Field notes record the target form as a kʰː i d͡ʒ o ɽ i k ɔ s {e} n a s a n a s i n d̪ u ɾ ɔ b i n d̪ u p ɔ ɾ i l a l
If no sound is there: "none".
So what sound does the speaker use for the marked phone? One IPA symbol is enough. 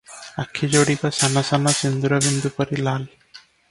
a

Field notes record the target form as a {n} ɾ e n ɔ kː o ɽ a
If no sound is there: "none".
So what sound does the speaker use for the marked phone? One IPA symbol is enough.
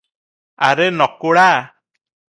none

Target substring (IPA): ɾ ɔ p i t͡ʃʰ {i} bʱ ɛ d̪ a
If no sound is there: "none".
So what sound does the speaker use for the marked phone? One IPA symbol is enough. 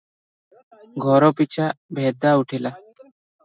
a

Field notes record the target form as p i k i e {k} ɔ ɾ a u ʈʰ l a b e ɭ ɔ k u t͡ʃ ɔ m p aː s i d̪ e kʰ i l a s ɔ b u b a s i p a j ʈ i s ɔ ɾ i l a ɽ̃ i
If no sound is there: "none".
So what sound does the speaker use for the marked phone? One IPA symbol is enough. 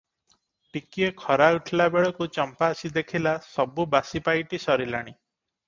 kʰ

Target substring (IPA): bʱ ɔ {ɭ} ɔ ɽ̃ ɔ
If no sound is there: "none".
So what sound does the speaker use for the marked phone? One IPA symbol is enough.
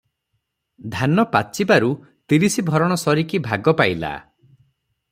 ɾ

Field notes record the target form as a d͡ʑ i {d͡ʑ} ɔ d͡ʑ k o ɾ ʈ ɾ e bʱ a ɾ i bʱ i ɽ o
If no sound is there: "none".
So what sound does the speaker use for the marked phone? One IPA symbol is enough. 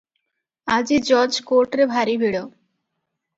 d͡ʑ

